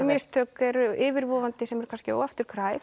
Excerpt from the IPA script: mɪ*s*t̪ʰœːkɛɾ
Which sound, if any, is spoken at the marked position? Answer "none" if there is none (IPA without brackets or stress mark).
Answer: s